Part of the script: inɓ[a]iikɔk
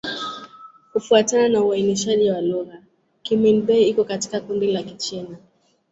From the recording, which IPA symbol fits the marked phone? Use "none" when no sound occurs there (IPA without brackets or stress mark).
ɛ